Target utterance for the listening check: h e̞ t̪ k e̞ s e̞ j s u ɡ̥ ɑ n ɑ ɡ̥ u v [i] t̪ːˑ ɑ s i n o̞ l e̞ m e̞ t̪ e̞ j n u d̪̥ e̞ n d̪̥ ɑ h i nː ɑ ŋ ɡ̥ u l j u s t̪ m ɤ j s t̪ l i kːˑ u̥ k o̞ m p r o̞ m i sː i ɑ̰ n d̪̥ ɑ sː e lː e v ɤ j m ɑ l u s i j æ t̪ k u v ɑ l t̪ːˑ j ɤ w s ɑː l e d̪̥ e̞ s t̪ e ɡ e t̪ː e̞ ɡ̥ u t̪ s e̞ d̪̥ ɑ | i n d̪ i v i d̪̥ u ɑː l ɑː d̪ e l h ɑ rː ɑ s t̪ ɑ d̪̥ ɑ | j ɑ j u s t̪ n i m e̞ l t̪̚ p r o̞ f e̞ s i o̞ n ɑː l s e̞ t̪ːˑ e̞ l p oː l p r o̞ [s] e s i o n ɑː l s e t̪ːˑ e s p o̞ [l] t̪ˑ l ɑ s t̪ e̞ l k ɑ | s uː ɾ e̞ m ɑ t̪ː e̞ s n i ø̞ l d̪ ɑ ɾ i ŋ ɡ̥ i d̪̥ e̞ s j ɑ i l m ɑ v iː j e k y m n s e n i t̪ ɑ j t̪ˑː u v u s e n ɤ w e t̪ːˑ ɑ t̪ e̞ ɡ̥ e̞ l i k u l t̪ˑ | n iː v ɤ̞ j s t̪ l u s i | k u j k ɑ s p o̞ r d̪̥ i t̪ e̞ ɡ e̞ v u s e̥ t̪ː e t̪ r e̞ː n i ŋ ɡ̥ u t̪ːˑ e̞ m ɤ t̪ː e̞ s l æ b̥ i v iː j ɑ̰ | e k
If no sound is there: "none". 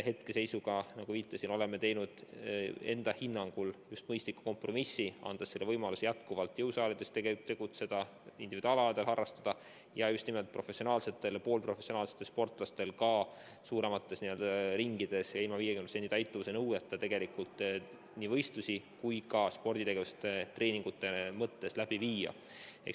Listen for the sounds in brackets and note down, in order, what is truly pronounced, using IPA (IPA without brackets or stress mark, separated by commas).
iː, f, r